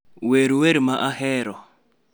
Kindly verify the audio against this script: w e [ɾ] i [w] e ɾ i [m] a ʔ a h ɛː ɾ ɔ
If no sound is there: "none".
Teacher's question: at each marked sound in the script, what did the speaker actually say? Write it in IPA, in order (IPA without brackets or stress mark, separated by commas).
ɾ, w, m